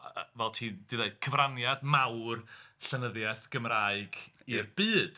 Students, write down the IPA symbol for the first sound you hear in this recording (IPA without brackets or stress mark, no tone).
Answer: v